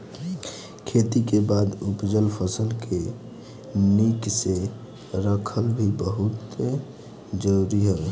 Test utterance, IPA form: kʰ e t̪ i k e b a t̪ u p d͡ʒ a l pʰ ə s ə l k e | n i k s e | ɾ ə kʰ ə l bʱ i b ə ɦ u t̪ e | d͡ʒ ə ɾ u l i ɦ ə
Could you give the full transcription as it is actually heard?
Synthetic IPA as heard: kʰ e t̪ i k e b a d̪ u p d͡ʒ ə l pʰ ə s ə l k e | n i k s e | ɾ ə kʰ ə l bʱ i b ə ɦ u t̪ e | d͡ʒ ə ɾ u ɾ i ɦ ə

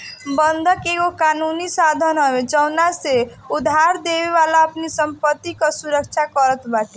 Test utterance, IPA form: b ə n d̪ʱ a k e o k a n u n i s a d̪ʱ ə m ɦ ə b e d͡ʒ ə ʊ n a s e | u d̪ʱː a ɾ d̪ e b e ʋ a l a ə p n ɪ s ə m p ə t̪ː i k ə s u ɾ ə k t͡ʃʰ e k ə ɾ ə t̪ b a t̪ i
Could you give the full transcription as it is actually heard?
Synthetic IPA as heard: b ə n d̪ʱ ə k e o k a n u n i s a d̪ʱ ə n ɦ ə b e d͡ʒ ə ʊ n a s e | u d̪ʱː a ɾ d̪ e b e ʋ a l a ə p n i s ə m p ə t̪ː i k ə s u ɾ ə k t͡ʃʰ a k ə ɾ ə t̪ b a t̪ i

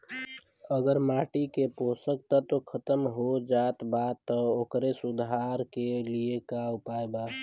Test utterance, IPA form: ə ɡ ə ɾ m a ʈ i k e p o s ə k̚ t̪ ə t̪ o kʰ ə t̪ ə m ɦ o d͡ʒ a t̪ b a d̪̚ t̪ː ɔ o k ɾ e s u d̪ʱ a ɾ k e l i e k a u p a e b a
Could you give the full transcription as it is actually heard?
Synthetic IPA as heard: ə ɡ ə ɾ m a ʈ i k e p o s ə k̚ t̪ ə t̪ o kʰ ə t̪ ə m ɦ o d͡ʒ a t̪ b a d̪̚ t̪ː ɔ o k ɾ e s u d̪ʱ a ɾ k e l i e k a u p a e b a

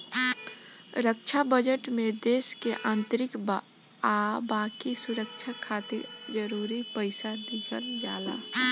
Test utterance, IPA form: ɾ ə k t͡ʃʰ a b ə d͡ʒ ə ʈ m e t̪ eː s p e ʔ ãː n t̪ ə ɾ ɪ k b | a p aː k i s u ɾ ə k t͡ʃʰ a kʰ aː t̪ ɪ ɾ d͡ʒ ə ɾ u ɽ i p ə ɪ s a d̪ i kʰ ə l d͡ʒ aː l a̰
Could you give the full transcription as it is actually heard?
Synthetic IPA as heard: ɾ ə k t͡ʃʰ a b ə d͡ʒ ə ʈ m e d̪ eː s k e ʔ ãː n t̪ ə ɾ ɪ k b | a b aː k i s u ɾ ə k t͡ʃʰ a kʰ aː t̪ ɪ ɾ d͡ʒ ə ɾ u ɾ i p ə ɪ s a d̪ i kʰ ə l d͡ʒ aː l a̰

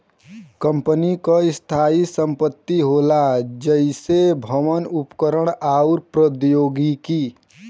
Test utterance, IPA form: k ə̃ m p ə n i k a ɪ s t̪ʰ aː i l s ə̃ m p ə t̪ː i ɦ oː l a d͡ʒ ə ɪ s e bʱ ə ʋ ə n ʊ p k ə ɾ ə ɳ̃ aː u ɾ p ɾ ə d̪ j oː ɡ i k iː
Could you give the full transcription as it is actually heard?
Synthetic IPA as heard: k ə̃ m p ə n i k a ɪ s t̪ʰ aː i s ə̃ m p ə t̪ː i ɦ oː l a d͡ʒ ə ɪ s e bʱ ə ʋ ə n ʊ p k ə ɾ ə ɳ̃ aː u ɾ p ɾ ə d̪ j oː ɡ i k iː

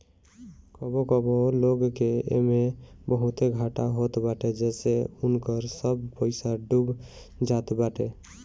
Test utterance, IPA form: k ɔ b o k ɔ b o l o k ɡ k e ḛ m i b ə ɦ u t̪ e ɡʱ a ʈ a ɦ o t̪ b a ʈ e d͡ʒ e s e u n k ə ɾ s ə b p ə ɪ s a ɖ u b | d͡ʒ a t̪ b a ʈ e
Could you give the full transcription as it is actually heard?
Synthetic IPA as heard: k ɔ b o k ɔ b o l o ɡ k e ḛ m e b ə ɦ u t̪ e ɡʱ a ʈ a ɦ o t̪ b a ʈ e d͡ʒ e s e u n k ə ɾ s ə b p ə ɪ s a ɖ u b | d͡ʒ a t̪ b a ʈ e

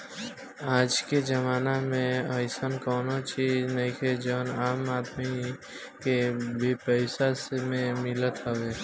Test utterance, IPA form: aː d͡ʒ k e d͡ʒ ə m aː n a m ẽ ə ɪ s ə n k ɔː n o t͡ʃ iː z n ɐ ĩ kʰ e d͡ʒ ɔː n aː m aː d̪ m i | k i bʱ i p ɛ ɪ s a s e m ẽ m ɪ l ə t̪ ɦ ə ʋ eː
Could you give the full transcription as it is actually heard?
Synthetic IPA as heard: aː d͡ʒ k e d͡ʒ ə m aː n a m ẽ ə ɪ s ə n k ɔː n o t͡ʃ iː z n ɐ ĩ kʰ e d͡ʒ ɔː n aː m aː d̪ m i | k e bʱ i p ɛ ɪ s a s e m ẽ m ɪ l ə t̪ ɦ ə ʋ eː

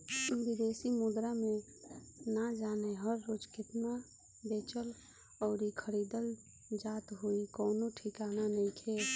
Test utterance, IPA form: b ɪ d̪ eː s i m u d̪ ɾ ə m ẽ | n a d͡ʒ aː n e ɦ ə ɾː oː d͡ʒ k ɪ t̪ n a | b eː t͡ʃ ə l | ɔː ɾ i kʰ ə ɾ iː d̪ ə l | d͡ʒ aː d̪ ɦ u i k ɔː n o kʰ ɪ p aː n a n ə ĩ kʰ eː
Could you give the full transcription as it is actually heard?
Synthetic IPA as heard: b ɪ d̪ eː s i m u d̪ ɾ a m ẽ | n a d͡ʒ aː n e ɦ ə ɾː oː d͡ʒ k ɪ t̪ n a | b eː t͡ʃ ə l | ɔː ɾ i kʰ ə ɾ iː d̪ ə l | d͡ʒ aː t̪ ɦ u i k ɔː n o ʈʰ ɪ k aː n a n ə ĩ kʰ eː

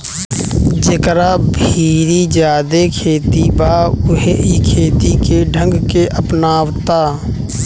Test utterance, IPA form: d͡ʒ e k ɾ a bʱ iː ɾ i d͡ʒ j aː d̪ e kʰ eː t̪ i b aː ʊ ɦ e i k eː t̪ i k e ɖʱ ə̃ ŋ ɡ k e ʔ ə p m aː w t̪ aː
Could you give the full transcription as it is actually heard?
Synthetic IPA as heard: d͡ʒ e k ɾ a bʱ iː ɾ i d͡ʒ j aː d̪ e kʰ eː t̪ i b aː ʊ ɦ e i kʰ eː t̪ i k e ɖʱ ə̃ ŋ ɡ k e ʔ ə p n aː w t̪ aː

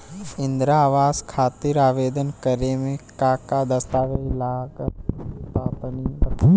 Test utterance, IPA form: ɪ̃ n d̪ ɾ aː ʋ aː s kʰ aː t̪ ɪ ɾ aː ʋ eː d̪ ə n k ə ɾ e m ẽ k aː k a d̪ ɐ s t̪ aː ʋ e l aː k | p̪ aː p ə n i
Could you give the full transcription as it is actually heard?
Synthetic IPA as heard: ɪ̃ n d̪ ɾ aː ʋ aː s kʰ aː t̪ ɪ ɾ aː ʋ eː d̪ ə n k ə ɾ e m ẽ k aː k a d̪ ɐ s t̪ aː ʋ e l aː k | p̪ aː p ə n i

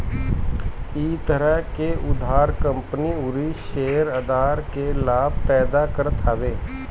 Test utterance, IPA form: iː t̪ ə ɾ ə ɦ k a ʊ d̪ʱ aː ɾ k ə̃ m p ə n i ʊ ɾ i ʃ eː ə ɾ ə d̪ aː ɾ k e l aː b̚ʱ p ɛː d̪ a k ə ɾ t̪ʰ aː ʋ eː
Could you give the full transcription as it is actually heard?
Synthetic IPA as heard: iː t̪ ə ɾ ə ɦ k e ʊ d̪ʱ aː ɾ k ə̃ m p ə n i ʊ ɾ i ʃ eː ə ɾ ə d̪ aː ɾ k e l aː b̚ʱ p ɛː d̪ a k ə ɾ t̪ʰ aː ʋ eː

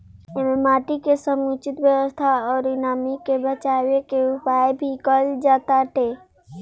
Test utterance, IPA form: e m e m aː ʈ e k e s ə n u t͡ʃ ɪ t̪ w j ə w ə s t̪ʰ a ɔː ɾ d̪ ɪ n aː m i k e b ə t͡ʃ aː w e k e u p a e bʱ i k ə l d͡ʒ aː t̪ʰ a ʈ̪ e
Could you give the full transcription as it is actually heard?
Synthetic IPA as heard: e m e m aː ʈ i k e s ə m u t͡ʃ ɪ t̪ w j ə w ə s t̪ʰ a ɔː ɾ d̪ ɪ n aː m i k e b ə t͡ʃ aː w e k e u p a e bʱ i k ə l d͡ʒ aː t̪ a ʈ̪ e

